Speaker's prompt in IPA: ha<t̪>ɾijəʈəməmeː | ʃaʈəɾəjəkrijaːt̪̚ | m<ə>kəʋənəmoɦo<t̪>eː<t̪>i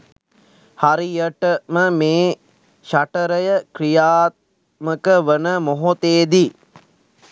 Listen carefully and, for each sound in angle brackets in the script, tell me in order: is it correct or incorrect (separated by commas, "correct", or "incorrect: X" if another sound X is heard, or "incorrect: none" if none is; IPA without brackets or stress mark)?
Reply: incorrect: none, correct, correct, incorrect: d̪